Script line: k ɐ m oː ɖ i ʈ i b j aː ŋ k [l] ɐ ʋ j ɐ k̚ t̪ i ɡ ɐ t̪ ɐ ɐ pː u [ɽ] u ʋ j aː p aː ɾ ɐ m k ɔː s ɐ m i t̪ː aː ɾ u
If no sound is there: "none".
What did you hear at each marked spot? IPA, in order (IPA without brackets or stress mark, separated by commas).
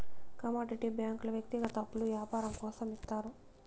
l, l